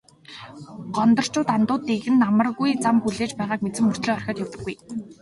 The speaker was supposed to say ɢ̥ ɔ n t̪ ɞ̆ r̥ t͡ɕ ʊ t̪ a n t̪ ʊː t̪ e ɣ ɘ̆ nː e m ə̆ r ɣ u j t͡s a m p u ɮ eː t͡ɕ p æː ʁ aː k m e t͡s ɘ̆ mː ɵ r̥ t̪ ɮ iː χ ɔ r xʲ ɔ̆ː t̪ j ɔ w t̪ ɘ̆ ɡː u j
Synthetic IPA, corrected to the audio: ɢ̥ ɔ n t̪ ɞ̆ r̥ t͡ɕ ʊː t̪ a n t̪ ʊː t̪ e ɣ ɘ̆ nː a m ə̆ r ɣ u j t͡s a m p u ɮ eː t͡ɕ p æː ʁ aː k m e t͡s ɘ̆ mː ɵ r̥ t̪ ɮ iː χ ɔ r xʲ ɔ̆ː t̪ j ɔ w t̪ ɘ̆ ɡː u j